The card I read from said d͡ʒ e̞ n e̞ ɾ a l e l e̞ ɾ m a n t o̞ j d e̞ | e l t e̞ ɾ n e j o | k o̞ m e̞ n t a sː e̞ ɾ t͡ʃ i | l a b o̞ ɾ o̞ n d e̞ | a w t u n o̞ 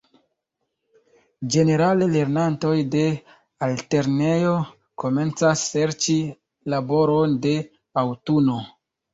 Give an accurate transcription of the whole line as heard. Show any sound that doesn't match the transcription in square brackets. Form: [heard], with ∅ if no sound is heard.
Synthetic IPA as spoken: d͡ʒ e̞ n e̞ ɾ a l e l e̞ ɾ [n] a n t o̞ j d e̞ | [a] l t e̞ ɾ n e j o | k o̞ m e̞ n [t͡s] a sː e̞ ɾ t͡ʃ i | l a b o̞ ɾ o̞ n d e̞ | a w t u n o̞